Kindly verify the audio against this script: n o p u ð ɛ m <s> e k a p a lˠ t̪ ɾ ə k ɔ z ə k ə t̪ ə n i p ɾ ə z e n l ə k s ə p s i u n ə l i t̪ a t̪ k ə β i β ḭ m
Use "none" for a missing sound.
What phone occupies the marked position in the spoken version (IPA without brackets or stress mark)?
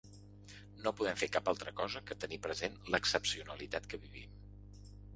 f